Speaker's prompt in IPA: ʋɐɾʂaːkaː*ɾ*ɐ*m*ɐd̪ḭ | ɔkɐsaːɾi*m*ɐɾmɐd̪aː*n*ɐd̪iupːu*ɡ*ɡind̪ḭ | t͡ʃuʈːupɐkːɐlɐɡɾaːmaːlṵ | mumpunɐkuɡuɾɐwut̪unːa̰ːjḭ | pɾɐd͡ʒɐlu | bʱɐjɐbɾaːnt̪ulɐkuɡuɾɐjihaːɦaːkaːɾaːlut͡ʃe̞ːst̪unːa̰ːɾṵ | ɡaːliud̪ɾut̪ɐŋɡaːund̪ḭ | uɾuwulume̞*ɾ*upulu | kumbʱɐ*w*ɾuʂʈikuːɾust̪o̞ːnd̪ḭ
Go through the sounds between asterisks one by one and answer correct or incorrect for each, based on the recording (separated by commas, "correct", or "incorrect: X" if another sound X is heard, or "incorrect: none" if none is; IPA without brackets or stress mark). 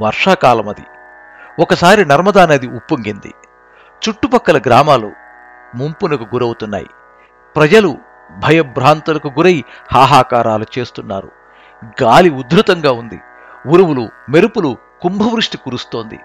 incorrect: l, correct, incorrect: n, correct, incorrect: ŋ, correct, incorrect: ʋ